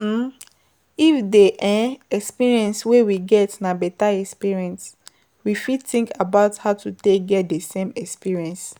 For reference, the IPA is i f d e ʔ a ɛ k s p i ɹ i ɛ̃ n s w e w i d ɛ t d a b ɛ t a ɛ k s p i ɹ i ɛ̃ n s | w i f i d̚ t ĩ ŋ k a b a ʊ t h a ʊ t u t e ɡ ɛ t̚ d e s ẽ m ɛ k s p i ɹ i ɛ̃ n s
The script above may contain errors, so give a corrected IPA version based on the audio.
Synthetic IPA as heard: i f d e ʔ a ɛ k s p i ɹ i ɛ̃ n s w e w i ɡ ɛ t n a b ɛ t a ɛ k s p i ɹ i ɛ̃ n s | w i f i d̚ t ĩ ŋ k a b a ʊ t h a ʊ t u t e ɡ ɛ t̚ d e s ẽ m ɛ k s p i ɹ i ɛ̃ n s

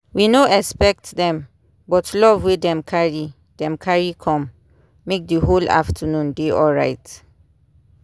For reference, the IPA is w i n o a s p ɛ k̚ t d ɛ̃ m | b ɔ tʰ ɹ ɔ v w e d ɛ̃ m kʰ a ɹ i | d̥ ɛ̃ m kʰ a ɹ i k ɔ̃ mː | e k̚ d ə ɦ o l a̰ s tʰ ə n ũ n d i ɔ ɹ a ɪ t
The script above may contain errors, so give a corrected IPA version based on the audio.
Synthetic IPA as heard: w i n o ɛ s p ɛ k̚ t d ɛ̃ m | b ɔ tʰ l ɔ v w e d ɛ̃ m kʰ a ɹ i | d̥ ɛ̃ m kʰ a ɹ i kʰ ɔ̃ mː | e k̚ d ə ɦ o l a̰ f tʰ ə n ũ n d e ɔ ɹ a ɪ t

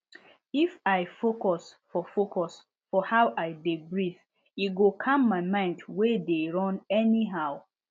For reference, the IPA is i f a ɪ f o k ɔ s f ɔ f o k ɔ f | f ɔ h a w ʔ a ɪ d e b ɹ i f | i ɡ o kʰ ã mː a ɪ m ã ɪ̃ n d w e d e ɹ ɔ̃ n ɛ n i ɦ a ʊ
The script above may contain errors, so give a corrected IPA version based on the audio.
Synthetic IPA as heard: i f a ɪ f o k ɔ s f ɔ f o k ɔ s | f ɔ h a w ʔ a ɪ d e b ɹ i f | i ɡ o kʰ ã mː a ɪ m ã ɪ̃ n d w e d e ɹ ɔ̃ n ɛ n i ɦ a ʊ

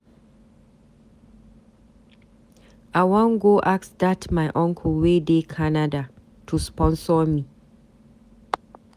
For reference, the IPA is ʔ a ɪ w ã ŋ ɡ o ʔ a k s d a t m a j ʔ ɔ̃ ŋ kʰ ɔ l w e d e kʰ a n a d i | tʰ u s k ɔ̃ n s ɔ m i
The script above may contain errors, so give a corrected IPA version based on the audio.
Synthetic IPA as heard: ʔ a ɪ w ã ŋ ɡ o ʔ a k s d a t m a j ʔ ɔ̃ ŋ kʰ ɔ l w e d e kʰ a n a d a | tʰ u s p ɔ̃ n s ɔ m i

